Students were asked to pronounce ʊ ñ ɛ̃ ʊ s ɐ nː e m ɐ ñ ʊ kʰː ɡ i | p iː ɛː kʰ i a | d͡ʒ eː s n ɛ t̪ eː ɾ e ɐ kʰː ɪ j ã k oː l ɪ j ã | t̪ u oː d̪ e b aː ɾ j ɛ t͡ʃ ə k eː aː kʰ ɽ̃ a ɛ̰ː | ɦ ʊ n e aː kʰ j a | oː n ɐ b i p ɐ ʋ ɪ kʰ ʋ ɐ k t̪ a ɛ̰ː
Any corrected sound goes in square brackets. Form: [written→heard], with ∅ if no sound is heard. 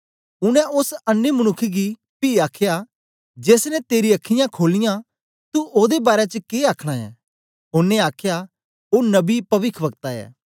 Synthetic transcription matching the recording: ʊ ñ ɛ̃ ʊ s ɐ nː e m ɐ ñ ʊ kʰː ɡ i | p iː [ɛː→aː] kʰ [i→j] a | d͡ʒ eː s n ɛ t̪ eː ɾ [e→i] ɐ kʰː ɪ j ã [k→kʰ] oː l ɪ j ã | t̪ u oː d̪ e b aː ɾ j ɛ t͡ʃ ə k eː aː kʰ ɽ̃ a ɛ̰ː | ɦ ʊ n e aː kʰ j a | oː n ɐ b i p ɐ ʋ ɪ kʰ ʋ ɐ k t̪ a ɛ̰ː